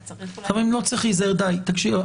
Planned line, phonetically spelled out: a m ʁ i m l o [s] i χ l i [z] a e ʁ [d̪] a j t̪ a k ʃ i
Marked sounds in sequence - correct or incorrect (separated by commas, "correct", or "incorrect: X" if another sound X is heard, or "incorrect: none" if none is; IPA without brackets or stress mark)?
incorrect: t͡s, correct, correct